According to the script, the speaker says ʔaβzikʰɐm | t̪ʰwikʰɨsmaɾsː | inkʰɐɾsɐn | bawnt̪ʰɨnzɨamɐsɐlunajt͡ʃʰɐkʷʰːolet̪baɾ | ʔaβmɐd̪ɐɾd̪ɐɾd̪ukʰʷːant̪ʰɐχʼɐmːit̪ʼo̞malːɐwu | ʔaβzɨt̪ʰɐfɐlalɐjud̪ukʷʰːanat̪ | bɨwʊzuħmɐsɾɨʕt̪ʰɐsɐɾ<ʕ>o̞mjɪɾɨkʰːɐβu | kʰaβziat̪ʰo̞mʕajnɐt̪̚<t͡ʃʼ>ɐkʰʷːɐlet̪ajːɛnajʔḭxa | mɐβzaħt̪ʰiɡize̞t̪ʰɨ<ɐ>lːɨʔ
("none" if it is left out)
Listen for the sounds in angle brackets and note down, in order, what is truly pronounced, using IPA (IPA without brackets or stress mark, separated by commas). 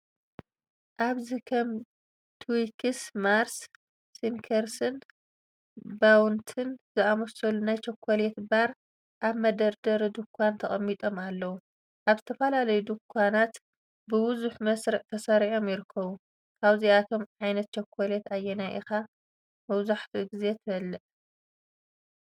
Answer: ʕ, t͡ʃ, ɐ